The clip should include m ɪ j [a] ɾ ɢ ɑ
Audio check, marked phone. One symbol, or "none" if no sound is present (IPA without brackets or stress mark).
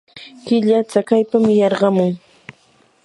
ɑ